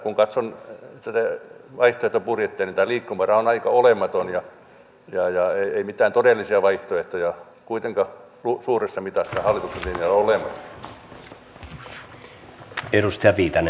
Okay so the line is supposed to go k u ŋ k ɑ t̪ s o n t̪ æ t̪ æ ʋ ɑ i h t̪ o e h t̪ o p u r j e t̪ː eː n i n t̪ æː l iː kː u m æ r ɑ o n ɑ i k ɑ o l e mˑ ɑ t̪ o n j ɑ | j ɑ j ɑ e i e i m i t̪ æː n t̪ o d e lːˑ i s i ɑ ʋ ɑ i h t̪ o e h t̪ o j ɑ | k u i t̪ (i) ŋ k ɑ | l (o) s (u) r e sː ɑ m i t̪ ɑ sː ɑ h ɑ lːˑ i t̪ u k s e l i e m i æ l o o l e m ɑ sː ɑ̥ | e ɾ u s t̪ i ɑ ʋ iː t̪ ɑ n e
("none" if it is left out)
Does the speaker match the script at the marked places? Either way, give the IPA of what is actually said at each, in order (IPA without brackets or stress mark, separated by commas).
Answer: e, u, uː